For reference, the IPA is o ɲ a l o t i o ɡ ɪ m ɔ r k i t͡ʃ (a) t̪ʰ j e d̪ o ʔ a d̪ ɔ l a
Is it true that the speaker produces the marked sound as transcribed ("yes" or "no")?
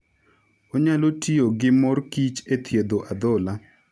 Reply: no